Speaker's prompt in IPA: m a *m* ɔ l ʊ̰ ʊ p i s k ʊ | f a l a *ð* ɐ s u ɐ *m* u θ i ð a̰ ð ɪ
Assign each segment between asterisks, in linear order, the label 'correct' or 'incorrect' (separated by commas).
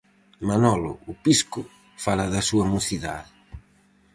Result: incorrect, correct, correct